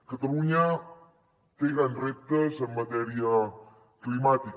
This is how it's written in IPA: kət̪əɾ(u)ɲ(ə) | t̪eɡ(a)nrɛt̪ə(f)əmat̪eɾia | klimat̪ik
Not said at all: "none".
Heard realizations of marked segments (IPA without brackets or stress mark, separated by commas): u, a, a, s